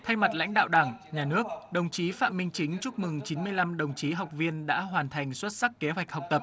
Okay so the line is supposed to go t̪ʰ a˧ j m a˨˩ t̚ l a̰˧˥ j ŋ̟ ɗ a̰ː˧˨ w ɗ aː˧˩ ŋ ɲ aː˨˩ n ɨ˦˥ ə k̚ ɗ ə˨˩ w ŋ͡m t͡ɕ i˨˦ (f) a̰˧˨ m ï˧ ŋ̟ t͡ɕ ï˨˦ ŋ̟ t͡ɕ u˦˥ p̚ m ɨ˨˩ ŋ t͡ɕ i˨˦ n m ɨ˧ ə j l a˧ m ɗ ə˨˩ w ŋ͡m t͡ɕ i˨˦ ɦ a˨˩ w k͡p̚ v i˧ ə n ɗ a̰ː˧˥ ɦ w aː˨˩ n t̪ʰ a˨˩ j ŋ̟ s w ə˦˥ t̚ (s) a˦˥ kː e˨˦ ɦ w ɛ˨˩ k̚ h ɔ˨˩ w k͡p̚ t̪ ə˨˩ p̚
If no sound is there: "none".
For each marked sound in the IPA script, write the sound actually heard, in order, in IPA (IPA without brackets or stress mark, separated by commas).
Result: f, s